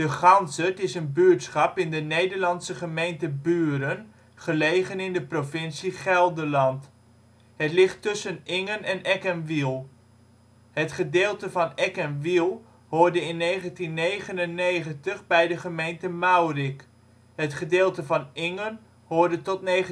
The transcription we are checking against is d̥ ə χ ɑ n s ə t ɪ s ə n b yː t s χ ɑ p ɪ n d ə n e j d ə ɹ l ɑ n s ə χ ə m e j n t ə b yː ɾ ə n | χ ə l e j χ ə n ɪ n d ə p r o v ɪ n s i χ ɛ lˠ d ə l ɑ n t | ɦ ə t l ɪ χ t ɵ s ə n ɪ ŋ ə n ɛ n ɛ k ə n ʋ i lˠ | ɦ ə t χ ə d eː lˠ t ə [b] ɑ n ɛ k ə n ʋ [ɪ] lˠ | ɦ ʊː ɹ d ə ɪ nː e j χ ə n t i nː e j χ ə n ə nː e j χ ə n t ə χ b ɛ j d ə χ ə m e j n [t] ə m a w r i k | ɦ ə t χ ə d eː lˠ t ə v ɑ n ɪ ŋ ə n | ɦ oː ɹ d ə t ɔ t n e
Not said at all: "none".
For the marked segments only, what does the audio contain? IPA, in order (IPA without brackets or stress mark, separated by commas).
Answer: v, i, t